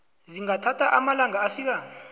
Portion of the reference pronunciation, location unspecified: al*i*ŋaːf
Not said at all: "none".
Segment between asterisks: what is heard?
a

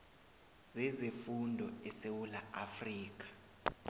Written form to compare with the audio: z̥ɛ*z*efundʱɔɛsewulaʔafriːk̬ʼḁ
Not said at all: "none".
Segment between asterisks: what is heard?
z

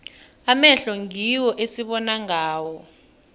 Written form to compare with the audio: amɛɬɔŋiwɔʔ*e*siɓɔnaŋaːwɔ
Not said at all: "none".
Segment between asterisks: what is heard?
e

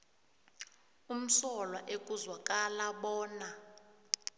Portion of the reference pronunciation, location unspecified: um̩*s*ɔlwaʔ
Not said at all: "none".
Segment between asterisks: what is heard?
s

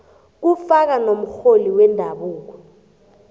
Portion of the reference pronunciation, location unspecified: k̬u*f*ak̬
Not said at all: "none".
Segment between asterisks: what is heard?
f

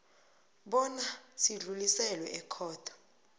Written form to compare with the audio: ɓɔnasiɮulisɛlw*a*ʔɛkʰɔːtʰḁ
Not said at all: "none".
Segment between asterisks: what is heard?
ɛ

